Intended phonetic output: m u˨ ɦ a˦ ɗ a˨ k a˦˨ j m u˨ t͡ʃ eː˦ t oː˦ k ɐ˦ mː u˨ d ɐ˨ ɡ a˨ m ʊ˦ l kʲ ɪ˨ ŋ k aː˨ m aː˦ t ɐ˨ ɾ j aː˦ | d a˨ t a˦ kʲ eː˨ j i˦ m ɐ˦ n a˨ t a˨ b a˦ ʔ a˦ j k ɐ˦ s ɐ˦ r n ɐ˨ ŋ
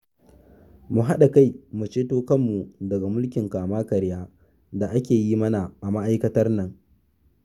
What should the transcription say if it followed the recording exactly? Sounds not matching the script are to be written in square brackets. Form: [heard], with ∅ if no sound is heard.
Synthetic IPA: m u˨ ɦ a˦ ɗ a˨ k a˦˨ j m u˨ t͡ʃ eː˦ t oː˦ k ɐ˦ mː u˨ d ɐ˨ ɡ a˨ m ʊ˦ l kʲ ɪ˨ ŋ k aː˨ m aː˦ [k] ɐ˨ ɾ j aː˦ | d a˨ [ʔ] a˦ kʲ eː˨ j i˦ m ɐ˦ n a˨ [ʔ] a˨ [m] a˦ ʔ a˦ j k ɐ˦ [t] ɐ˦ r n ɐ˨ ŋ